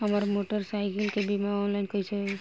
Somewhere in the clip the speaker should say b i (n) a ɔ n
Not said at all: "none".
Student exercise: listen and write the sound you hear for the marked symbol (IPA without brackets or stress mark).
m